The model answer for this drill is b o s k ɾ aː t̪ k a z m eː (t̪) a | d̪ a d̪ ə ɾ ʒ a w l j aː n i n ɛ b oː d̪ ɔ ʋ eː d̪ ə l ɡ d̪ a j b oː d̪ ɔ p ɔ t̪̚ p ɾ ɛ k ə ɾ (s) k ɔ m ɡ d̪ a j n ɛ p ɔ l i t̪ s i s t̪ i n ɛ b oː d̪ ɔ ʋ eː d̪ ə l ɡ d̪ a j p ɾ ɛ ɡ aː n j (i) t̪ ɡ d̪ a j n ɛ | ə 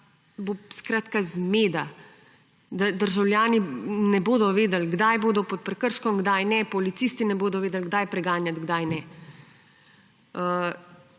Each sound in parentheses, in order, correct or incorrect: incorrect: d̪, incorrect: ʃ, incorrect: a

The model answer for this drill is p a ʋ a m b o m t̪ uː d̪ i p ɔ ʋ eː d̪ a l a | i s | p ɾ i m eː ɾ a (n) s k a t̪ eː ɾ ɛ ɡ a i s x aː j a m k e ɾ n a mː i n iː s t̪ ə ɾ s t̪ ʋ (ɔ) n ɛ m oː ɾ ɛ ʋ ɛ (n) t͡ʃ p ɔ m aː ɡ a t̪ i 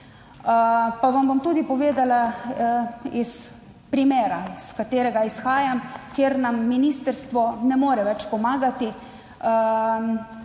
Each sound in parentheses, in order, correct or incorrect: incorrect: none, correct, incorrect: none

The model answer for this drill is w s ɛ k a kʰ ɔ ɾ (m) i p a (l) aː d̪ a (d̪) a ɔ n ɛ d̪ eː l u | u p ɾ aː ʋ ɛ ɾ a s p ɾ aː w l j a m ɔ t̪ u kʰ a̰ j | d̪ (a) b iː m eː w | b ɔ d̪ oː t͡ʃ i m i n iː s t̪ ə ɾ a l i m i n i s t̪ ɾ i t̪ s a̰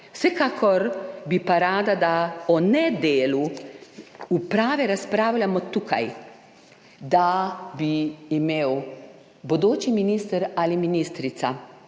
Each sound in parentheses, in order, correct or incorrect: incorrect: b, incorrect: ɾ, correct, correct

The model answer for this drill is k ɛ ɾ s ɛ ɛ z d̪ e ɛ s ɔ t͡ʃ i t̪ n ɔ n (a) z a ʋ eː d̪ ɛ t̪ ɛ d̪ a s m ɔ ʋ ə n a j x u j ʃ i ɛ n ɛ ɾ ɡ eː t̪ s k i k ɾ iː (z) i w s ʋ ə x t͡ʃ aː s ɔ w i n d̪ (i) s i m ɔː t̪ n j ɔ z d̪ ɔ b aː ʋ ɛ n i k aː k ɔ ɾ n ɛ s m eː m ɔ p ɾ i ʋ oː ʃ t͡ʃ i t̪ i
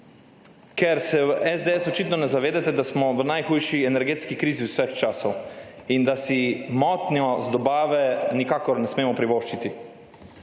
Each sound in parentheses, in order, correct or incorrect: incorrect: ɛ, correct, incorrect: a

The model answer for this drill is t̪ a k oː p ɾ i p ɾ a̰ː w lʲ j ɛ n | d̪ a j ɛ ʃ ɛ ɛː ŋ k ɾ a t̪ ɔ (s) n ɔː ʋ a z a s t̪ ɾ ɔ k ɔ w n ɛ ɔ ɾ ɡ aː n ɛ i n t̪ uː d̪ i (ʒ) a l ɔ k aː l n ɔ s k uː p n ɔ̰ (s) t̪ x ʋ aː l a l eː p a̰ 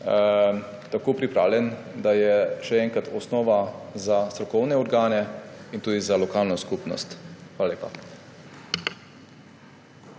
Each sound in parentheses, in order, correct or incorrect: correct, incorrect: z, correct

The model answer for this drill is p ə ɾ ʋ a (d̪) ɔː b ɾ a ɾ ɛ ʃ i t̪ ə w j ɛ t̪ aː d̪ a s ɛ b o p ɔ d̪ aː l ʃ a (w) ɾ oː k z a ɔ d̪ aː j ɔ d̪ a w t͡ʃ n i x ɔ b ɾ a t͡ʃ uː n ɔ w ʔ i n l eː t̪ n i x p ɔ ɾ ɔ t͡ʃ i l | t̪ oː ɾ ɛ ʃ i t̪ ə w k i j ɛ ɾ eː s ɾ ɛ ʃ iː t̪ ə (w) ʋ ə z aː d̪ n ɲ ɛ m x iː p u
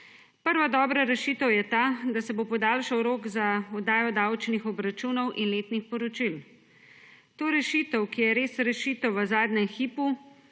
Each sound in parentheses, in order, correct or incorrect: correct, correct, correct

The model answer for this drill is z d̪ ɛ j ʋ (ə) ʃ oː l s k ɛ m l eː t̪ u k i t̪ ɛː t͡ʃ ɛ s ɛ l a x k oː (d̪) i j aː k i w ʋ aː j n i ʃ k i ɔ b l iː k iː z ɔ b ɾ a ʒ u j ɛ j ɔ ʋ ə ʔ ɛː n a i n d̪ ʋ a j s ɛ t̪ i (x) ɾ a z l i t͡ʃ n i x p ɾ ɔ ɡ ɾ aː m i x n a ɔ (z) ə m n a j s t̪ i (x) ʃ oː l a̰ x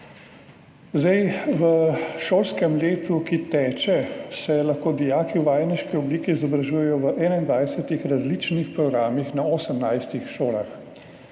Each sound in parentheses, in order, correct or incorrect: correct, correct, correct, incorrect: s, correct

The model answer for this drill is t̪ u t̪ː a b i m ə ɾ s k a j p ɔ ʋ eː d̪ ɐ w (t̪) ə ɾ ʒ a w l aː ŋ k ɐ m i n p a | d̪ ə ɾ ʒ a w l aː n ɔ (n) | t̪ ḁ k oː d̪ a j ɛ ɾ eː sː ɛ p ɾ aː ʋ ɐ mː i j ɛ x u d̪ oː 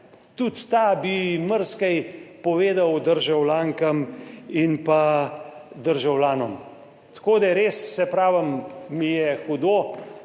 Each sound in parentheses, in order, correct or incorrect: incorrect: d̪, incorrect: m

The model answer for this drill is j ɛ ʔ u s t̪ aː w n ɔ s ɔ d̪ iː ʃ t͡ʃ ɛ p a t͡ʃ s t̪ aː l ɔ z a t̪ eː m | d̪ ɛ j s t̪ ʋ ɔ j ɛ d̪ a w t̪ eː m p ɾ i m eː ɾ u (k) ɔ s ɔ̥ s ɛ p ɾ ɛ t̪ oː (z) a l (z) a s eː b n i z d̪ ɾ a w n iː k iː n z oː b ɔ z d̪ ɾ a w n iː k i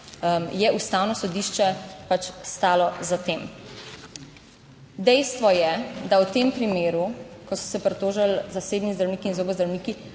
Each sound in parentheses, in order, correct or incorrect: correct, incorrect: ʒ, correct

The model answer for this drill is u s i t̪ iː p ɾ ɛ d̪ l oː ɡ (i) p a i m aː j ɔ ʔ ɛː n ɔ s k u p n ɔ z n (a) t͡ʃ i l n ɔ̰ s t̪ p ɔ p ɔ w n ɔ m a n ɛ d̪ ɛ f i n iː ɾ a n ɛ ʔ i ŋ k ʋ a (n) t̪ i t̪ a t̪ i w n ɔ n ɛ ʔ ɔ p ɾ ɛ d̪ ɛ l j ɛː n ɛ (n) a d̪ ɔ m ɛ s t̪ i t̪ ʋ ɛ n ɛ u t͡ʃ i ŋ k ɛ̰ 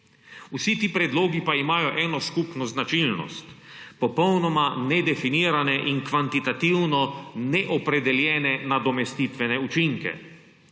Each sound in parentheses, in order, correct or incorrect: correct, correct, correct, correct

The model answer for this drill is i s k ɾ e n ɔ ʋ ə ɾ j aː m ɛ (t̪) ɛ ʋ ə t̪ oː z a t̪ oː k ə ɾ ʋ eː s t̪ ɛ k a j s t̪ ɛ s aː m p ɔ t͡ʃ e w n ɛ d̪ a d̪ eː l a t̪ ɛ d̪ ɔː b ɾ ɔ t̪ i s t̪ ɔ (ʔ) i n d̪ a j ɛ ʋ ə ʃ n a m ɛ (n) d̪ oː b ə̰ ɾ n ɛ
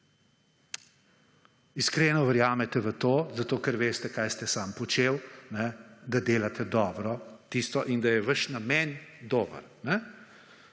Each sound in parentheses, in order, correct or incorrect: correct, correct, correct

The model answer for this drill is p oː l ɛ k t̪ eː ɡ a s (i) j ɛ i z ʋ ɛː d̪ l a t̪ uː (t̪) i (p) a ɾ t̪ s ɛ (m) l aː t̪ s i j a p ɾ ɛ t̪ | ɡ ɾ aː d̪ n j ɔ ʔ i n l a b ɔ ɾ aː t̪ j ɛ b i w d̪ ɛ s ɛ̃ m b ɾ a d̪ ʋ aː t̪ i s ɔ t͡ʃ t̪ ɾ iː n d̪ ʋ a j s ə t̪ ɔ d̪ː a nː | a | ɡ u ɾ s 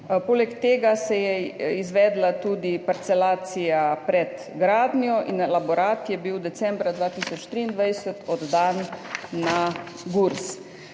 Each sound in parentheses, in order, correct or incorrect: incorrect: ɛ, incorrect: d̪, correct, incorrect: none

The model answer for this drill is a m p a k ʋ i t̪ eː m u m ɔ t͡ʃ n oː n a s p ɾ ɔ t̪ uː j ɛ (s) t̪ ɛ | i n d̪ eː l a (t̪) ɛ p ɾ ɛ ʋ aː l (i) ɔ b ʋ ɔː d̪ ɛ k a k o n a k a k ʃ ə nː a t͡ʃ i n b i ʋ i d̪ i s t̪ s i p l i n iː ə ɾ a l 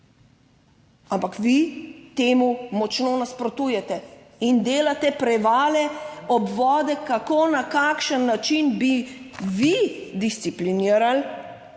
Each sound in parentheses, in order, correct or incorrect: incorrect: none, correct, incorrect: ɛ

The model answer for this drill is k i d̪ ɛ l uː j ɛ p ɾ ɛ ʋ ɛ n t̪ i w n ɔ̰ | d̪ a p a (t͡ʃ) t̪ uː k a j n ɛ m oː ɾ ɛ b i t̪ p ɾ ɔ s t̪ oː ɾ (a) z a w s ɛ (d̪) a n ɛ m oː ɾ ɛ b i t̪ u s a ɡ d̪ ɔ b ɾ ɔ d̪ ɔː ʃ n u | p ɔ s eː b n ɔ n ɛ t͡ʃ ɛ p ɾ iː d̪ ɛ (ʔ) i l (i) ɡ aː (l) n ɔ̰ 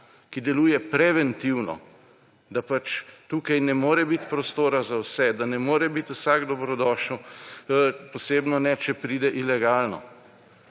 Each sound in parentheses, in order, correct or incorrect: correct, correct, correct, correct, incorrect: ɛ, correct

